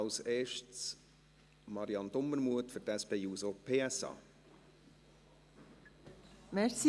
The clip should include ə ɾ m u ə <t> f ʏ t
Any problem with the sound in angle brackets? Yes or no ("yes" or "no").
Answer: no